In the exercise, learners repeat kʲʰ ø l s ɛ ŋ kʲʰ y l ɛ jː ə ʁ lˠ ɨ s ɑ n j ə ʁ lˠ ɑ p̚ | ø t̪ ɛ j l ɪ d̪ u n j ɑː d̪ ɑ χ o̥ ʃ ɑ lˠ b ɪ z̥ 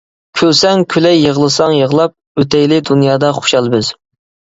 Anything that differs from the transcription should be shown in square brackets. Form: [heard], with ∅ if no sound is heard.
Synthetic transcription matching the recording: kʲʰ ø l s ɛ ŋ kʲʰ y l ɛ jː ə ʁ lˠ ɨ s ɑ [ŋ] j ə ʁ lˠ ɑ p̚ | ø t̪ ɛ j l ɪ d̪ u n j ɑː d̪ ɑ χ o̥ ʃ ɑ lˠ b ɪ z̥